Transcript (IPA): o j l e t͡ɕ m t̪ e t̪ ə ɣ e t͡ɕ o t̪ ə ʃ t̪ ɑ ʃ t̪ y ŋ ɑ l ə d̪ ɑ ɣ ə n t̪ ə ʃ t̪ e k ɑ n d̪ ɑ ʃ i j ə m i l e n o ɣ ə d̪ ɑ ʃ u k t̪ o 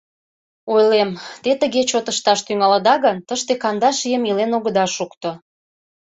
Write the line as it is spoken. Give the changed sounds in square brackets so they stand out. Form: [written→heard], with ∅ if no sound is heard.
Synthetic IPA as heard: o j l e [t͡ɕ→∅] m t̪ e t̪ ə ɣ e t͡ɕ o t̪ ə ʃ t̪ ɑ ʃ t̪ y ŋ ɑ l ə d̪ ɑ ɣ ə n t̪ ə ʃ t̪ e k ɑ n d̪ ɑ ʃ i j ə m i l e n o ɣ ə d̪ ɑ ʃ u k t̪ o